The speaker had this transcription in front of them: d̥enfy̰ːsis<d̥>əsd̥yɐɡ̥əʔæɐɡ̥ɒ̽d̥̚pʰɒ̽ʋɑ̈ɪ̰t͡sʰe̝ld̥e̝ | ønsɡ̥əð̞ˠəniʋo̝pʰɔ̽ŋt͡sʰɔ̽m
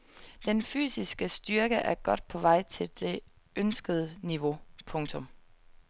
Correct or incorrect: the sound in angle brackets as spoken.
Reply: incorrect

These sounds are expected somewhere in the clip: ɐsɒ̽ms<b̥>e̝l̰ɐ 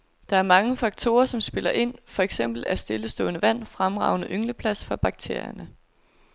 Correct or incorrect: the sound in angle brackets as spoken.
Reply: correct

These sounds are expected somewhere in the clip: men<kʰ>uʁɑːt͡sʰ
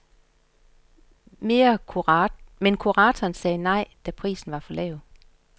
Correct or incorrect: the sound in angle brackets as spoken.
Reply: correct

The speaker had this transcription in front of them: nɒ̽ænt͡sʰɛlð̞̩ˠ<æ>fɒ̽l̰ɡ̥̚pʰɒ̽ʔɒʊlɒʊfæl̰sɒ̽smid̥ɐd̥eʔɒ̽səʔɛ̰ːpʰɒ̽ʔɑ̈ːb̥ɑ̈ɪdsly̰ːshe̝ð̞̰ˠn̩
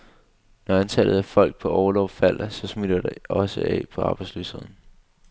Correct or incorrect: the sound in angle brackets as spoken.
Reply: correct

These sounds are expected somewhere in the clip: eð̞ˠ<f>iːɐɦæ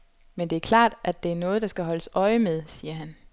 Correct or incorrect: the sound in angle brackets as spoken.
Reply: incorrect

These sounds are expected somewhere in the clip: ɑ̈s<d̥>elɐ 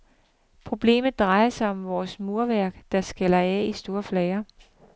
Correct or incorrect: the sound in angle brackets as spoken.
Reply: incorrect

